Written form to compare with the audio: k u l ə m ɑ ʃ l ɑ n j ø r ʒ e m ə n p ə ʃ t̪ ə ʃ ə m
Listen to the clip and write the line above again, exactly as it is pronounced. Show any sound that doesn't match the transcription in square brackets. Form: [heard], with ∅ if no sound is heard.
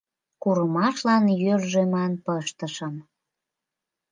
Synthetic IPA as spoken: k u [ɾ] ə m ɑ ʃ l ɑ n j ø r ʒ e m [ɑ] n p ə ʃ t̪ ə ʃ ə m